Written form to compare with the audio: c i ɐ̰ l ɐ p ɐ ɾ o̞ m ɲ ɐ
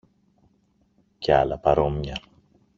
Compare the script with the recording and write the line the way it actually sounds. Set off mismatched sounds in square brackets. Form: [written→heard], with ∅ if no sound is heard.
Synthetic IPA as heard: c [i→e] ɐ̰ l ɐ p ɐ ɾ o̞ m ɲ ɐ